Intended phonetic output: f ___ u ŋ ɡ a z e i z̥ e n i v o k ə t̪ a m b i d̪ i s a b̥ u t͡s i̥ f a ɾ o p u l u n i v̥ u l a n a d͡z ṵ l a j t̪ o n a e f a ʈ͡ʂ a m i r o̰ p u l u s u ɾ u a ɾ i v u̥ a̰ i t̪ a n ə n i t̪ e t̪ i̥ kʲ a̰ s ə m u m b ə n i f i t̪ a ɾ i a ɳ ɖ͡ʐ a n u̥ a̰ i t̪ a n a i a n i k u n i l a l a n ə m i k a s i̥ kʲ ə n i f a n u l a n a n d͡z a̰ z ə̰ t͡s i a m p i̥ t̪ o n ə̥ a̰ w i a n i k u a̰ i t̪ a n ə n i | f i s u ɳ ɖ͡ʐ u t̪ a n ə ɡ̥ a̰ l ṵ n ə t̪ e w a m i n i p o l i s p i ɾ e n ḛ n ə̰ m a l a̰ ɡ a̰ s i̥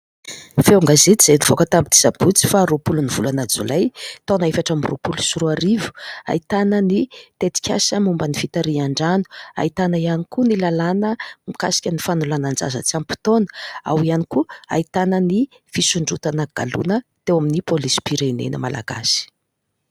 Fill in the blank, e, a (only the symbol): e